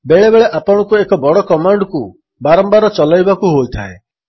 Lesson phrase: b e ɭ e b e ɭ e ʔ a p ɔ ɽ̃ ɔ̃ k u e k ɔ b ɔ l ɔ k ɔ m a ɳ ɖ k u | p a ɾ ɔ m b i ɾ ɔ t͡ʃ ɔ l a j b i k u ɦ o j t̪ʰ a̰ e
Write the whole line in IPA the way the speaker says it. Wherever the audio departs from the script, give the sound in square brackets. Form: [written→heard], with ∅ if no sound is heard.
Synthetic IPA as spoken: b e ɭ e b e ɭ e ʔ a p ɔ ɽ̃ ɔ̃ k u e k ɔ b ɔ [l→ɽ] ɔ k ɔ m a ɳ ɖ k u | [p→b] a ɾ ɔ m b [i→a] ɾ ɔ t͡ʃ ɔ l a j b [i→a] k u ɦ o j t̪ʰ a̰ e

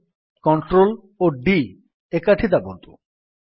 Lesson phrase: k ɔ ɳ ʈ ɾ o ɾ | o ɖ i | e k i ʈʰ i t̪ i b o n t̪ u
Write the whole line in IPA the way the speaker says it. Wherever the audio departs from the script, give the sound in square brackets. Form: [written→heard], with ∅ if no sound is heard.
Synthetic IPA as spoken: k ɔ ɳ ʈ ɾ o [ɾ→l] | o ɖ i | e k [i→a] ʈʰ i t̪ [i→a] b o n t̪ u

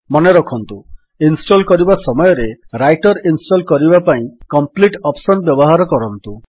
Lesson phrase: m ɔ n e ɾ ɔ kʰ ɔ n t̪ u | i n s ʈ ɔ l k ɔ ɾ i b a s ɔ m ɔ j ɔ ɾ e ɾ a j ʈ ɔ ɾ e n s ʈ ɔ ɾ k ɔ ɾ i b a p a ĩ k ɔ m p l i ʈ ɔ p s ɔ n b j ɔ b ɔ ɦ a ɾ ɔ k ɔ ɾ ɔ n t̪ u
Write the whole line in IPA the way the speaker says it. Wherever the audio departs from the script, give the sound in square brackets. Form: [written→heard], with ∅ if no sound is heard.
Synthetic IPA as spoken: m ɔ n e ɾ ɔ kʰ ɔ n t̪ u | i n s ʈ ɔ l k ɔ ɾ i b a s ɔ m ɔ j ɔ ɾ e ɾ a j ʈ ɔ ɾ [e→i] n s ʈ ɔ [ɾ→l] k ɔ ɾ i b a p a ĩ k ɔ m p l i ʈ ɔ p s ɔ n b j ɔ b ɔ ɦ a ɾ ɔ k ɔ ɾ ɔ n t̪ u

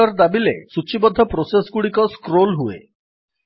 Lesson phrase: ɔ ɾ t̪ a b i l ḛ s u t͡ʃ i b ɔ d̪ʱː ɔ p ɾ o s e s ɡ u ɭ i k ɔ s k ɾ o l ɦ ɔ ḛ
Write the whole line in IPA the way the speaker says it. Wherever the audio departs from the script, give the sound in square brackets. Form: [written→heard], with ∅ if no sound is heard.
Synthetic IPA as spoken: ɔ ɾ [t̪→d̪] a b i l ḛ s u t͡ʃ i b ɔ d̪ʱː ɔ p ɾ o s e s ɡ u [ɭ→ɽ] i k ɔ s k ɾ o l ɦ [ɔ→u] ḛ

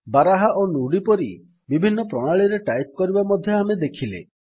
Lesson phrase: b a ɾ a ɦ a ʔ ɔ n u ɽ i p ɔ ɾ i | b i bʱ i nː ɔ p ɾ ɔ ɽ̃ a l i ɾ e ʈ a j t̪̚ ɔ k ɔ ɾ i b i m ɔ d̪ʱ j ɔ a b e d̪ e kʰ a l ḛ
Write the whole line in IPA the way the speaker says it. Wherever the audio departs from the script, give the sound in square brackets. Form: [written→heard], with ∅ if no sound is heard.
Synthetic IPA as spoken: b a ɾ a ɦ a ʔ [ɔ→o] n u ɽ i p ɔ ɾ i | b i bʱ i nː ɔ p ɾ ɔ ɽ̃ a [l→ɭ] i ɾ e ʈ a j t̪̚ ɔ k ɔ ɾ i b [i→a] m ɔ d̪ʱ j ɔ a [b→m] e d̪ e kʰ [a→i] l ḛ

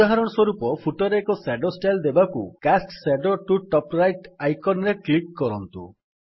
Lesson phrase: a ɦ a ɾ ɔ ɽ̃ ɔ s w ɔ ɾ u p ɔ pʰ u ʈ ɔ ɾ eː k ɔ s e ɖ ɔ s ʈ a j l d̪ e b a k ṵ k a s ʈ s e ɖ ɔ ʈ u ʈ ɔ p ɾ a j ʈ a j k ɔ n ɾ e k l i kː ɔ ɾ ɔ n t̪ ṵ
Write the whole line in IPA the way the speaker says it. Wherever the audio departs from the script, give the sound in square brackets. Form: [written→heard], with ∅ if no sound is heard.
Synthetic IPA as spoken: a ɦ a ɾ ɔ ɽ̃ ɔ s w ɔ ɾ u p ɔ pʰ u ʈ ɔ ɾ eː k ɔ s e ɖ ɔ s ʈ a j l d̪ e b a k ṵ k a s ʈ s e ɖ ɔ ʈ u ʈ ɔ p ɾ a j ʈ a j k ɔ n ɾ e k l i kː ɔ ɾ ɔ n t̪ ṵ

